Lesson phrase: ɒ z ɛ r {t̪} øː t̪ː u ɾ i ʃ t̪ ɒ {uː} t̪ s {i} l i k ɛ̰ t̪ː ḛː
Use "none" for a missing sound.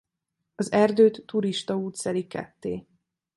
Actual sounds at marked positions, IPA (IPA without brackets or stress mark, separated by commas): d̪, uː, ɛ